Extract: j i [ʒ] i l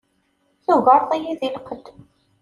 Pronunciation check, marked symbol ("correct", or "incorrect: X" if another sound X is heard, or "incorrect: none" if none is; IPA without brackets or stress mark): incorrect: ð